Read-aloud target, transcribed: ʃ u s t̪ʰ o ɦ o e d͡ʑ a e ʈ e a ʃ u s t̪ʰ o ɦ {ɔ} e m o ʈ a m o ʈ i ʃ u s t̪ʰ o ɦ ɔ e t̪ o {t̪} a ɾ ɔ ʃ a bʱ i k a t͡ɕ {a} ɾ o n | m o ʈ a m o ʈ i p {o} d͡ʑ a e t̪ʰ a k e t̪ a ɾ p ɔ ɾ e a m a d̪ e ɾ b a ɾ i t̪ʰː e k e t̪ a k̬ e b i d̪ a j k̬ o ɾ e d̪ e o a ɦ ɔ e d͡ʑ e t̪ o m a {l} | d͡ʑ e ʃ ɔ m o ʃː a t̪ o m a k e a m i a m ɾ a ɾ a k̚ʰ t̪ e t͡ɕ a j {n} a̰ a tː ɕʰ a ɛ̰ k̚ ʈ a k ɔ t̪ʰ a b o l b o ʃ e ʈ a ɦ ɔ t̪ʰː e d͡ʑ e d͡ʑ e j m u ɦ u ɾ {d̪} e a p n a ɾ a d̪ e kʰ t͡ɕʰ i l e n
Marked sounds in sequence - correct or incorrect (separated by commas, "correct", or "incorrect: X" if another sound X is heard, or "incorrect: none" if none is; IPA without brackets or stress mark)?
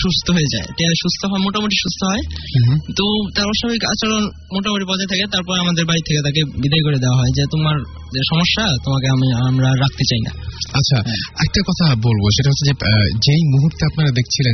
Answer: correct, correct, correct, incorrect: ɔ, incorrect: ɾ, correct, incorrect: t̪